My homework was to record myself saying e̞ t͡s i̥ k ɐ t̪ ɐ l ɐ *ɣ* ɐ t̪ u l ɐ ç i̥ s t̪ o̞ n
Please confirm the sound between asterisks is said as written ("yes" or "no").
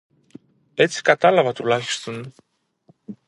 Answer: no